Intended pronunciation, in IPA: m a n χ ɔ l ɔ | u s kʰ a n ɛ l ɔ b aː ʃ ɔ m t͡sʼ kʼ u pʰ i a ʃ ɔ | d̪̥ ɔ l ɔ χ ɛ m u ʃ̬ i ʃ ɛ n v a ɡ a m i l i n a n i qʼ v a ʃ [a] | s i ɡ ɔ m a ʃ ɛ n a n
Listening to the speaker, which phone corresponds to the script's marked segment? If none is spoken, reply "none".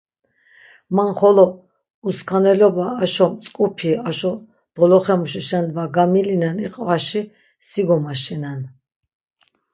i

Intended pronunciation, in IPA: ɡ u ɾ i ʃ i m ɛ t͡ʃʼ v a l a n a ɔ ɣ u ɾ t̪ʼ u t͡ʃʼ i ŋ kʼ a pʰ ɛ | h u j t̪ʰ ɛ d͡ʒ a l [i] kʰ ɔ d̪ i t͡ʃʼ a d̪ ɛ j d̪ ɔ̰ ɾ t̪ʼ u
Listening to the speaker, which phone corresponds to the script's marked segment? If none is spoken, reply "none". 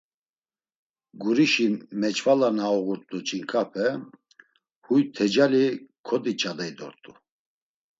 i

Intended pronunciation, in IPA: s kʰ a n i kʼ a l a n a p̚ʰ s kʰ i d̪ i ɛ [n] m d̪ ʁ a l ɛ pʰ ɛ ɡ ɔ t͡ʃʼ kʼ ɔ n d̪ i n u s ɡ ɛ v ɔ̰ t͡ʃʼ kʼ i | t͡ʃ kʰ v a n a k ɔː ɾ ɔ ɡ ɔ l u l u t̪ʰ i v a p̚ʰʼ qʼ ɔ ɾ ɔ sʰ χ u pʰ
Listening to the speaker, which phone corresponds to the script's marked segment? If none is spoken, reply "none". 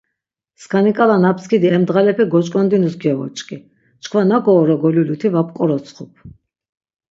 none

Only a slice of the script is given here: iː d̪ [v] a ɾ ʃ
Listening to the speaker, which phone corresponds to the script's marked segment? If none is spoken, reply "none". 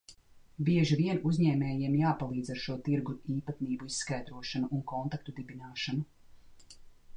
z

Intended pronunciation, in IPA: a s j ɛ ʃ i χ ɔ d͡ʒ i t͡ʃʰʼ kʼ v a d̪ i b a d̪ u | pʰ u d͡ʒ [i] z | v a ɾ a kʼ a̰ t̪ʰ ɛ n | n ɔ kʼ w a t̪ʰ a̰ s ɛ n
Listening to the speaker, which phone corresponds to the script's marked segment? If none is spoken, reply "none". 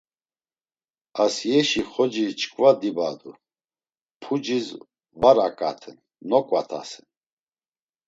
i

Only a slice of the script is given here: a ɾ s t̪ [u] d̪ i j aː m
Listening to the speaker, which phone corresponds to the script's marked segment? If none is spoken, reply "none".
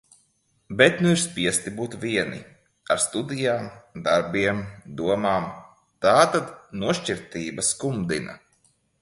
u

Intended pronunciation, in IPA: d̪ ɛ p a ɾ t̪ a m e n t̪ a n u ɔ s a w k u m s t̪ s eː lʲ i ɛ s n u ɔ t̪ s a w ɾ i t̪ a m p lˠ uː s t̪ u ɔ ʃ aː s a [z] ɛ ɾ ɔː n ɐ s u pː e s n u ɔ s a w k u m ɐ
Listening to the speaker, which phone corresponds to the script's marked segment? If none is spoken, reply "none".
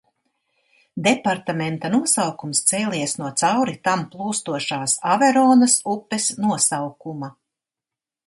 v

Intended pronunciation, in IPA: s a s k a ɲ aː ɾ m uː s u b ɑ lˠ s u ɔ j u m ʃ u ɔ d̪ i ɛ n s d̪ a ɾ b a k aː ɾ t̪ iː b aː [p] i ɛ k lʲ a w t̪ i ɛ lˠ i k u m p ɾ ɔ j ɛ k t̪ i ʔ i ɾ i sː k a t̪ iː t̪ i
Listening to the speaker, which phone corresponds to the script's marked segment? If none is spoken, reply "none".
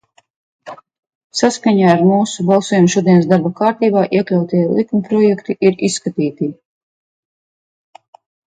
ʔ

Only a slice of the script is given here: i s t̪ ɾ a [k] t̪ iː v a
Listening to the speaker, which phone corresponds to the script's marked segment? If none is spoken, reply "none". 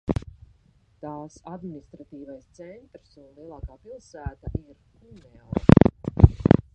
none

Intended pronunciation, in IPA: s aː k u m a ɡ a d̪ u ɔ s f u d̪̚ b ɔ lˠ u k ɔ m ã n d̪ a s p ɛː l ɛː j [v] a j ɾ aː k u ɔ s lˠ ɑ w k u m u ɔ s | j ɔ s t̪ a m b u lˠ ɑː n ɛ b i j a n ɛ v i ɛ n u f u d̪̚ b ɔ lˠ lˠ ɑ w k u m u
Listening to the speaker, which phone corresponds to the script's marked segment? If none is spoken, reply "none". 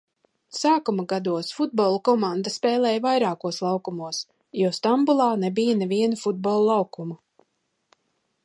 v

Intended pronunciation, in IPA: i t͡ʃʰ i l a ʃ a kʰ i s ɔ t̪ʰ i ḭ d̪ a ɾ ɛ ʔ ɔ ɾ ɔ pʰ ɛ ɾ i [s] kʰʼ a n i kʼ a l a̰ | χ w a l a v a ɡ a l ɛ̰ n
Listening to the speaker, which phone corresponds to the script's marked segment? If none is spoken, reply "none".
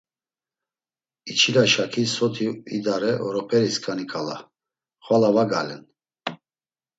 s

